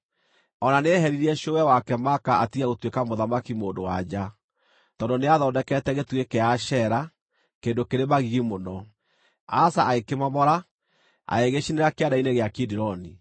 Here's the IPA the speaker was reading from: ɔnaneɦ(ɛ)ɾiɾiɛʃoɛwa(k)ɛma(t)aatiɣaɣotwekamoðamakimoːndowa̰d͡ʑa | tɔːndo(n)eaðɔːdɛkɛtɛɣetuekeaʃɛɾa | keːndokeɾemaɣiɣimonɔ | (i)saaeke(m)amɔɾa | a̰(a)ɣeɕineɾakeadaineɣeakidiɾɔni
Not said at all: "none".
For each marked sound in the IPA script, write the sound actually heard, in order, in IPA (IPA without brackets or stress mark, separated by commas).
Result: ɛ, k, k, n, a, m, e